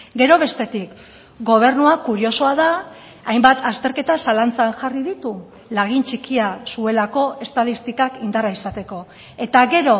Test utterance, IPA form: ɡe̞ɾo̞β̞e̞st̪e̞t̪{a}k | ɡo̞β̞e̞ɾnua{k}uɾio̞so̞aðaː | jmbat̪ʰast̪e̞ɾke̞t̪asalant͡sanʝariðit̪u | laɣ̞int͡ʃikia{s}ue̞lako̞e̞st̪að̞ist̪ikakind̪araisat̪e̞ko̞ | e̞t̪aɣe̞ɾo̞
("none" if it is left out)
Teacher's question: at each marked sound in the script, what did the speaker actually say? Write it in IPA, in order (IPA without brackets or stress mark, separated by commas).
i, k, s